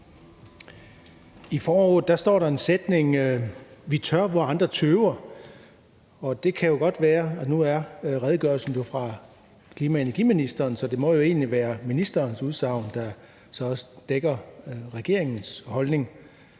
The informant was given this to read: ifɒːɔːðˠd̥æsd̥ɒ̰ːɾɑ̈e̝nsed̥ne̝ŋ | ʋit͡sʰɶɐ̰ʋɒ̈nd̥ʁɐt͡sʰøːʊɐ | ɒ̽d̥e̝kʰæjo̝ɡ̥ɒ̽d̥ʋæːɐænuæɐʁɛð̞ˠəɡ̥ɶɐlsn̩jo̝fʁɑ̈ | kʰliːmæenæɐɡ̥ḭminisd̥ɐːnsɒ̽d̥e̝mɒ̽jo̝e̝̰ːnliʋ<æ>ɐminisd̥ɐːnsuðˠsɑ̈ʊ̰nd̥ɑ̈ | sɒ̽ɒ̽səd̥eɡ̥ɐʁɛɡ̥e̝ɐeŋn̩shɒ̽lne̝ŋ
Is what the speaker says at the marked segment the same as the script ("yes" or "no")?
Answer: no